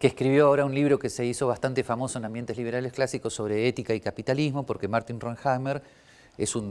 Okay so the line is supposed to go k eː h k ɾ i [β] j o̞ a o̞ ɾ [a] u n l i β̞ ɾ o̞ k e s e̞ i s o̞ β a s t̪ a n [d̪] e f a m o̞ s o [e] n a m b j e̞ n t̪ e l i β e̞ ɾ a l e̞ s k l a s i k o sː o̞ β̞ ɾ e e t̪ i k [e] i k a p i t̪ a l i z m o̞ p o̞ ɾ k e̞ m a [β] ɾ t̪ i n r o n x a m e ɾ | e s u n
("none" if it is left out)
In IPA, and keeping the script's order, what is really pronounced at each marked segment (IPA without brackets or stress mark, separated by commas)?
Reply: β, a, t̪, e, a, none